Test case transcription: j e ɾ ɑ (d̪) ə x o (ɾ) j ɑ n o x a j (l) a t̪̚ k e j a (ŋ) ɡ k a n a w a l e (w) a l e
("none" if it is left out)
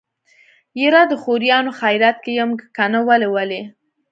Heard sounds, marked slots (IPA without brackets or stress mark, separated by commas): d̪, ɾ, ɾ, m, w